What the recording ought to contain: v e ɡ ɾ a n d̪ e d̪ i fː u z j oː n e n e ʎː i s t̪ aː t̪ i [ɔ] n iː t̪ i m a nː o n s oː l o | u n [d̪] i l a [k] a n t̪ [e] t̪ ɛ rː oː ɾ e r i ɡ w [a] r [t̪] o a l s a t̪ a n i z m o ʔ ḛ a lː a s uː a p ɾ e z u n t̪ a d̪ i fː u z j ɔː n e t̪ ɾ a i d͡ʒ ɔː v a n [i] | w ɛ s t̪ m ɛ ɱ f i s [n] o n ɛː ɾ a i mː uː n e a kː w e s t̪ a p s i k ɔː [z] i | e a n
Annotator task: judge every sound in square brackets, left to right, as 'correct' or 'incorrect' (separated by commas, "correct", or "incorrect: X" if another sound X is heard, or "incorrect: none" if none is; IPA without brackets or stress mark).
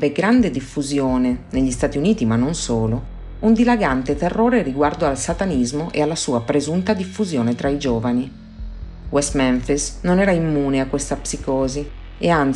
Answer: incorrect: u, correct, incorrect: ɡ, correct, correct, incorrect: d̪, correct, correct, correct